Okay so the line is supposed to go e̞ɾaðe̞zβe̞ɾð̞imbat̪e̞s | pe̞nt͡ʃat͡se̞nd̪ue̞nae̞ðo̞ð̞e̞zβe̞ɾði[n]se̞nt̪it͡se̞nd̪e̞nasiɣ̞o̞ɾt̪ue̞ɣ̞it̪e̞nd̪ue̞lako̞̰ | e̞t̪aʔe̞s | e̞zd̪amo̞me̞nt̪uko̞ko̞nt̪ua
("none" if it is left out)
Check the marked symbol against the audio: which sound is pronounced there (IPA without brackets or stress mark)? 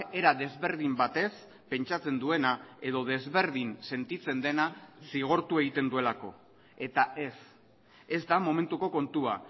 n